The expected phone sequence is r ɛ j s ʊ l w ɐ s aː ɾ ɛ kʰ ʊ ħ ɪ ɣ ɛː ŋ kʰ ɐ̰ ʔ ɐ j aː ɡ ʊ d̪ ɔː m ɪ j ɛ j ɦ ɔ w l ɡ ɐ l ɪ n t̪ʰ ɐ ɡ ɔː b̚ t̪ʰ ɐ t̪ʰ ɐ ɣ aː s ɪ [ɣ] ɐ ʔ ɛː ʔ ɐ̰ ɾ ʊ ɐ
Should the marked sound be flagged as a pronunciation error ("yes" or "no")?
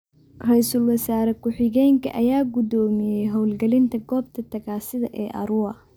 yes